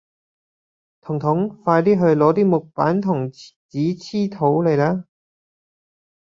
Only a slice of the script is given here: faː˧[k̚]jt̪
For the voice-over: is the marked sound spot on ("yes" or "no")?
no